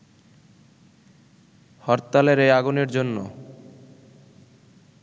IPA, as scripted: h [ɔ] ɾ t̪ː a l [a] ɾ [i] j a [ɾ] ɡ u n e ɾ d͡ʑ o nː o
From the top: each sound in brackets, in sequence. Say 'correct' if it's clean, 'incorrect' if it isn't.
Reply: correct, incorrect, incorrect, incorrect

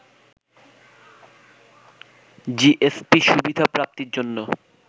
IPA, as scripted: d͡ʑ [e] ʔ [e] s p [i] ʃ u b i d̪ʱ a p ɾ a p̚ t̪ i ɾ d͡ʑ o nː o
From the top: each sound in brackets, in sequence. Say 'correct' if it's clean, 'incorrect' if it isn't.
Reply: incorrect, correct, correct

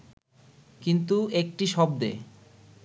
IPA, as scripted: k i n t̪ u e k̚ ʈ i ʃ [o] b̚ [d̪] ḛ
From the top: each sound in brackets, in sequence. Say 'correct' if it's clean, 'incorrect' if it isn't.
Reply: incorrect, correct

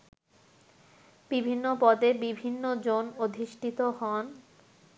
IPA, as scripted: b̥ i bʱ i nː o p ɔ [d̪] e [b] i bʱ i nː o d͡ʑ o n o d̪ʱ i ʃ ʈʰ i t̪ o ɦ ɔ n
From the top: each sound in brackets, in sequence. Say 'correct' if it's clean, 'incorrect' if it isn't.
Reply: correct, correct

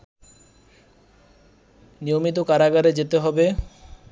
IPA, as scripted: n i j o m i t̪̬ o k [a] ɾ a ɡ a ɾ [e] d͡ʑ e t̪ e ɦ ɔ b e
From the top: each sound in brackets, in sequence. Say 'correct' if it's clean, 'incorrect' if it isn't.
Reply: correct, correct

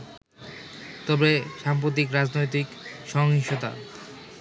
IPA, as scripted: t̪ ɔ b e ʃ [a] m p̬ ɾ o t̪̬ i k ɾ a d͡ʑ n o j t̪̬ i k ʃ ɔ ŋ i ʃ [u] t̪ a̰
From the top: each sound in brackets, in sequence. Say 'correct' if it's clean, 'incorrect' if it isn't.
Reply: correct, incorrect

